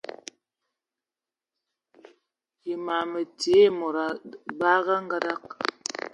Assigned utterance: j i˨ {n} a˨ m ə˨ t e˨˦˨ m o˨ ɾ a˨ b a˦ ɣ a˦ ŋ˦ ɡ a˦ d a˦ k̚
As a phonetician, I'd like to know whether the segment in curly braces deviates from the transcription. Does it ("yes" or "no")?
yes